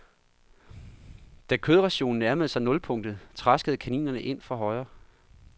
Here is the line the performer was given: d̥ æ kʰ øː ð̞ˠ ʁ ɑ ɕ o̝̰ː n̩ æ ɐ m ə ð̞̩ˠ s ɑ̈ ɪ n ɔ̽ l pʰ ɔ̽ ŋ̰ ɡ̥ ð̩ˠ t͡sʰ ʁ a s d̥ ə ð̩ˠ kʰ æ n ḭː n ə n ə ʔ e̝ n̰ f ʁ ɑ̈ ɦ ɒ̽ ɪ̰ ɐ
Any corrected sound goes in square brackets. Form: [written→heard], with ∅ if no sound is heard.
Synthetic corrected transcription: d̥ æ kʰ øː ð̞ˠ ʁ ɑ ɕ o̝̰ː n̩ æ ɐ m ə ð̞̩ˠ s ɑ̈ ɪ n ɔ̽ l pʰ ɔ̽ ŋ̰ [ɡ̥→d̥] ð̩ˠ t͡sʰ ʁ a s [d̥→ɡ̥] ə ð̩ˠ kʰ æ n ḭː n [ə→ɐ] n ə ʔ e̝ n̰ f ʁ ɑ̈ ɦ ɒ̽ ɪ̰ ɐ